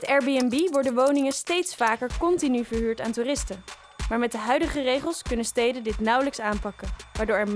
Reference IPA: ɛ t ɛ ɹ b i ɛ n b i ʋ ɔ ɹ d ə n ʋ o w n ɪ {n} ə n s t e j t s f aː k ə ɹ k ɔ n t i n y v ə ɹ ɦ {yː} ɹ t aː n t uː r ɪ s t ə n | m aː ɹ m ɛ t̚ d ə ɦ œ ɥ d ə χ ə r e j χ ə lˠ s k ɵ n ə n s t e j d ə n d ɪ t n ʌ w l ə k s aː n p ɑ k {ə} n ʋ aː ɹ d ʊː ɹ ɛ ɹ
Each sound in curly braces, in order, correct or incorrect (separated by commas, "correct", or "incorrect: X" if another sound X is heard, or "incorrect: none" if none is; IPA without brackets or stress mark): incorrect: ŋ, correct, correct